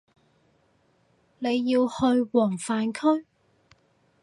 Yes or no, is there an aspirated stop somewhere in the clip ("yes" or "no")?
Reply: yes